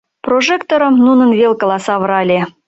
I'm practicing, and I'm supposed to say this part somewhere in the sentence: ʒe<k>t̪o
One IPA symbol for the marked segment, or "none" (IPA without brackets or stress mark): k